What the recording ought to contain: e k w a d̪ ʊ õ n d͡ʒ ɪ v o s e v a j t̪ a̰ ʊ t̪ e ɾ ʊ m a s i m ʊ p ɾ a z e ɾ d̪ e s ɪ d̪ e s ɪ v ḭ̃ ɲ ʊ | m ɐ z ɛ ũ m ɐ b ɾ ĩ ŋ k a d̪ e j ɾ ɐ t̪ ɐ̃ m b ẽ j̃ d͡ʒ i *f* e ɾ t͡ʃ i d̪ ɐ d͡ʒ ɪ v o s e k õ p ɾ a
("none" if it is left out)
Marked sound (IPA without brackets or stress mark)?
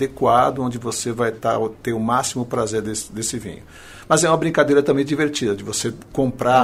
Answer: v